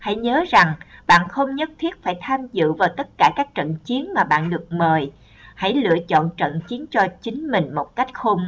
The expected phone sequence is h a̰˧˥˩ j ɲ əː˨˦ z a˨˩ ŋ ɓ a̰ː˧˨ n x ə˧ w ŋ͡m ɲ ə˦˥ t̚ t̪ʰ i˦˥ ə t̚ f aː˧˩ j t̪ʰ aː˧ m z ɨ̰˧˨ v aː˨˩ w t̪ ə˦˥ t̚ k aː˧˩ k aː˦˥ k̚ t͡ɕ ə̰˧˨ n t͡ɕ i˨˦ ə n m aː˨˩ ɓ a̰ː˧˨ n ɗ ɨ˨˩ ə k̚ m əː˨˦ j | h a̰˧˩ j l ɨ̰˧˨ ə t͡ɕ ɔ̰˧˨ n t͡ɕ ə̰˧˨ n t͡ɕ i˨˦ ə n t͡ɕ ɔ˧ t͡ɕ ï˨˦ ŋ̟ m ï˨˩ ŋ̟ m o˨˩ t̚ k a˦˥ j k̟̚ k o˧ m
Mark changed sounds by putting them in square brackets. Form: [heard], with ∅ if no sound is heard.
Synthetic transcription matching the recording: h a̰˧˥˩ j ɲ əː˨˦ z a˨˩ ŋ ɓ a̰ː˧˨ n x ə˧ w ŋ͡m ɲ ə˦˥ t̚ t̪ʰ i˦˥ ə t̚ f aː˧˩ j t̪ʰ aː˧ m z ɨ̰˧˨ v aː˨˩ w t̪ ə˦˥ t̚ k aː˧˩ k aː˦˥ k̚ t͡ɕ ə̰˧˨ n t͡ɕ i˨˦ ə n m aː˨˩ ɓ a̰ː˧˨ n ɗ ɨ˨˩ ə k̚ m [əː˨˩] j | h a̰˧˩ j l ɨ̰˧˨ ə t͡ɕ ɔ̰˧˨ n t͡ɕ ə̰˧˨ n t͡ɕ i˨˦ ə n t͡ɕ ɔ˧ t͡ɕ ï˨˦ ŋ̟ m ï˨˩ ŋ̟ m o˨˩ t̚ k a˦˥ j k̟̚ [x] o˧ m

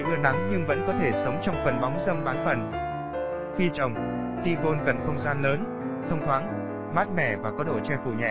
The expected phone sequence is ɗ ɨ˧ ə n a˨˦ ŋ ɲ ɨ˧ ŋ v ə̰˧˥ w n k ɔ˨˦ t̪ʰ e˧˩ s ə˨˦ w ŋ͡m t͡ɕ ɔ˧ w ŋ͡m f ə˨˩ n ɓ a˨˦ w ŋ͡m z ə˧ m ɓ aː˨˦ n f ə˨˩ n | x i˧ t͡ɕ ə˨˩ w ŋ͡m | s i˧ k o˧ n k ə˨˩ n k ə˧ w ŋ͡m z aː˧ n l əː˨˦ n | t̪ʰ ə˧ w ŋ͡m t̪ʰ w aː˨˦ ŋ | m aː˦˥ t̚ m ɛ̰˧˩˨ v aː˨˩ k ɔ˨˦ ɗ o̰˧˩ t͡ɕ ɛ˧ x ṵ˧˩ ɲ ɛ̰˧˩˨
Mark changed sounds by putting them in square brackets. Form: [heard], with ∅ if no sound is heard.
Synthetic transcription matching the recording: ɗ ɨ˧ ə n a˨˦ ŋ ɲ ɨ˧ ŋ v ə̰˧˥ [∅] n k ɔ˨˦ t̪ʰ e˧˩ s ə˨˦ w ŋ͡m t͡ɕ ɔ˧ w ŋ͡m f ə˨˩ n ɓ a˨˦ w ŋ͡m z ə˧ m ɓ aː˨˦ n f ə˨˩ n | x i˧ t͡ɕ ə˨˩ w ŋ͡m | [x] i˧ k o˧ n k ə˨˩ n [x] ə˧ w ŋ͡m z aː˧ n l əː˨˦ n | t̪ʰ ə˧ w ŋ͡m t̪ʰ w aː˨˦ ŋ | m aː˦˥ t̚ m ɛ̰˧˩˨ v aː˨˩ k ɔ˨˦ ɗ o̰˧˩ t͡ɕ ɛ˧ [f] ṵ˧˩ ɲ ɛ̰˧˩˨

